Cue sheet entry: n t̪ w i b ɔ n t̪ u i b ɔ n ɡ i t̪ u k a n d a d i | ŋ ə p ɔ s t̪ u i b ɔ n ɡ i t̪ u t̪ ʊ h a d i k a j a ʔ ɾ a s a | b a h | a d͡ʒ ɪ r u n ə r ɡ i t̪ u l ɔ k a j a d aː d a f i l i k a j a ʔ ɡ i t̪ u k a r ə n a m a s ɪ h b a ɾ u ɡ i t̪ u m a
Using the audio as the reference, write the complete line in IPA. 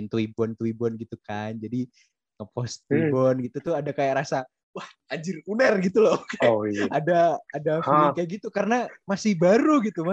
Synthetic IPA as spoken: n t̪ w i b ɔ n t̪ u i b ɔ n ɡ i t̪ u k a n d͡ʒ a d i | ŋ ə p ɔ s t̪ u i b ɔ n ɡ i t̪ u t̪ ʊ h a d a k a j a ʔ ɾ a s a | w a h | a d͡ʒ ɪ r u n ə r ɡ i t̪ u l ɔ k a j a d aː d a f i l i k a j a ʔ ɡ i t̪ u k a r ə n a m a s ɪ h b a ɾ u ɡ i t̪ u m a